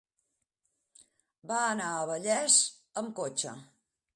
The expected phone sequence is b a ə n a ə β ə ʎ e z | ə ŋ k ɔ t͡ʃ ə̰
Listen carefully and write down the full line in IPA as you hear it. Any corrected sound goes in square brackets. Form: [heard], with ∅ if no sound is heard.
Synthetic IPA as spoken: b a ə n a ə β ə ʎ [ɛ] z | ə [m] k [o] t͡ʃ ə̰